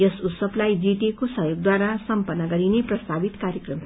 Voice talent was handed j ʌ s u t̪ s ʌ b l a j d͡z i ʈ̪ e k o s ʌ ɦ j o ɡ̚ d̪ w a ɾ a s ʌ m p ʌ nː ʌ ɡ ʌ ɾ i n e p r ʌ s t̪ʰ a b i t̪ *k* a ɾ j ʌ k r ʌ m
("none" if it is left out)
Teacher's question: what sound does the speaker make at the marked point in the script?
k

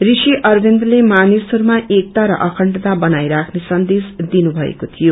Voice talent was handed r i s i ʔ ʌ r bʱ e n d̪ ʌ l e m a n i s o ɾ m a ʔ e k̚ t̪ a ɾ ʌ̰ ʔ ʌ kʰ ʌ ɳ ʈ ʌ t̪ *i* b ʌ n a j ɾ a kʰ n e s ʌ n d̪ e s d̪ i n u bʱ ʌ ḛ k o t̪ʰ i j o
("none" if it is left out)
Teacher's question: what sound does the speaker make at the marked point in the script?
a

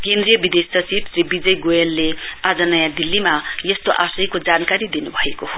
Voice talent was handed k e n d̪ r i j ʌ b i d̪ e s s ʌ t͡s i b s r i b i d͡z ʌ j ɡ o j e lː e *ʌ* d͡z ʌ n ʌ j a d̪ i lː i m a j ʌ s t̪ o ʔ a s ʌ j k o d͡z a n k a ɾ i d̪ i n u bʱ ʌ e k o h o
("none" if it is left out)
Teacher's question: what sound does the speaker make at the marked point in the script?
a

